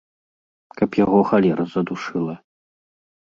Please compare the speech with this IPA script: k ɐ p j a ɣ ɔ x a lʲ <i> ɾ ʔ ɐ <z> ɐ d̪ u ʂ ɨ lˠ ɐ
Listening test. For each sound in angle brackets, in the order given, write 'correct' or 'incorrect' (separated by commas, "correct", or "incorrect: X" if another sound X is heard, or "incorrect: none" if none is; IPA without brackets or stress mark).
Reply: incorrect: ɛ, correct